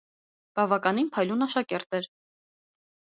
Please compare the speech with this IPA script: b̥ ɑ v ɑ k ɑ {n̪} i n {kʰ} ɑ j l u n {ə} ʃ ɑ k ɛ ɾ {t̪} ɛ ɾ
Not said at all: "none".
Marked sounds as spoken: n̪, pʰ, ɑ, t̪

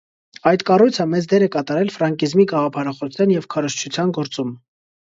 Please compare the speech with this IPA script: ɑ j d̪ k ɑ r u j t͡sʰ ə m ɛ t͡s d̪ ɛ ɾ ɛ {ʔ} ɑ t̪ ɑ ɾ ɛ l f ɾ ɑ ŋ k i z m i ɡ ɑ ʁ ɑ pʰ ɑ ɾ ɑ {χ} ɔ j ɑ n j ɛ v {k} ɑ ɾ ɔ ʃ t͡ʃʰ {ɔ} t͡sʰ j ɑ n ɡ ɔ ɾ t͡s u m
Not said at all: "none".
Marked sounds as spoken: k, χ, kʰ, u

